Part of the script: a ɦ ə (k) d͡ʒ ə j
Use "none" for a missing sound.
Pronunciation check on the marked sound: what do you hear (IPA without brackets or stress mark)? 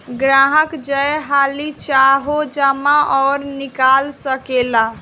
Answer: k